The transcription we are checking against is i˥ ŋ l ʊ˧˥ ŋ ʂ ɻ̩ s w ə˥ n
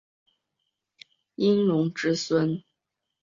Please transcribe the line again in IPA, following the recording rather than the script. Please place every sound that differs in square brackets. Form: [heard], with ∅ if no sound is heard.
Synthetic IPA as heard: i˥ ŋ l ʊ˧˥ ŋ [ʈ͡ʂ] ɻ̩ s w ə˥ n